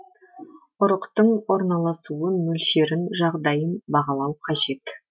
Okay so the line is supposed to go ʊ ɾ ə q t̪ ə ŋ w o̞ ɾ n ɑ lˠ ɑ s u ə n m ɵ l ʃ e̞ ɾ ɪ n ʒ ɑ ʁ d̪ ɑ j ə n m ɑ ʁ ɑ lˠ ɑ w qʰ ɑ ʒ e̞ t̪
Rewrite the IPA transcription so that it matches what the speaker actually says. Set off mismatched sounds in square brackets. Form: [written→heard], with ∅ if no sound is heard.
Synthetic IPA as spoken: ʊ ɾ ə q t̪ ə [ŋ→ɴ] w o̞ ɾ n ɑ lˠ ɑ s u ə n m ɵ l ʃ e̞ ɾ ɪ n ʒ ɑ ʁ d̪ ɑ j ə n [m→b] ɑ ʁ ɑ lˠ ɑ w qʰ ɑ ʒ e̞ t̪